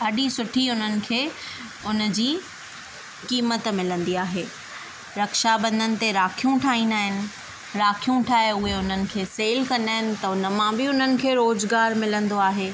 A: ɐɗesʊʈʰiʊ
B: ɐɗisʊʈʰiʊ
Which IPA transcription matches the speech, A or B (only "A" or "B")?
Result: B